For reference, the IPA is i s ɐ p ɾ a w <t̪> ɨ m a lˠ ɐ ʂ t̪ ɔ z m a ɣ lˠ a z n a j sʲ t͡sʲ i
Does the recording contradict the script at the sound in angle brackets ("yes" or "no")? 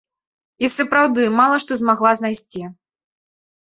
yes